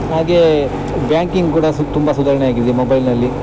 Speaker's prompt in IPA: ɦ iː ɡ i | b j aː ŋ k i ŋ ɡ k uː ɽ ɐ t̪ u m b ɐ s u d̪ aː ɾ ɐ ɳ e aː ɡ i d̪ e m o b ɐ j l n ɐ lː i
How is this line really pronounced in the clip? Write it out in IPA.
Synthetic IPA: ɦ aː ɡ e | b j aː ŋ k i ŋ ɡ k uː ɽ ɐ t̪ u m b ɐ s u d̪ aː ɾ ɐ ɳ e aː ɡ i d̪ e m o b ɐ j l n ɐ lː i